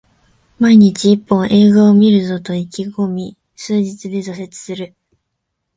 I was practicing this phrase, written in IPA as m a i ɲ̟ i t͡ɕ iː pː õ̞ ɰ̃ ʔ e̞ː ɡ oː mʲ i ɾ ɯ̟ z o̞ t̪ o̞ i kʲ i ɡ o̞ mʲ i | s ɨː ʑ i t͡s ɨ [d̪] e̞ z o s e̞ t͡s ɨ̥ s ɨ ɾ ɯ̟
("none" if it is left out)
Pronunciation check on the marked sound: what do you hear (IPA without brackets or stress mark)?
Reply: d̪